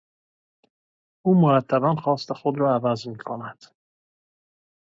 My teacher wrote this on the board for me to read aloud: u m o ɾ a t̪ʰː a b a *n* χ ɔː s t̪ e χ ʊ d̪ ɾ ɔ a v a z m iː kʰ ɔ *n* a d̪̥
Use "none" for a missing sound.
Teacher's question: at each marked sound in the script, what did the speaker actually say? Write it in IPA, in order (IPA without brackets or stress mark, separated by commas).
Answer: n, n